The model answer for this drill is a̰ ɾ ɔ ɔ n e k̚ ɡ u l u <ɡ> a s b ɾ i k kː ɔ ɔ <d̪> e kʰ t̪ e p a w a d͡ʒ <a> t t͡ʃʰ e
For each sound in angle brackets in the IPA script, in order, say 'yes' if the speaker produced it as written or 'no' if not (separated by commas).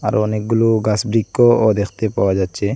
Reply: yes, yes, yes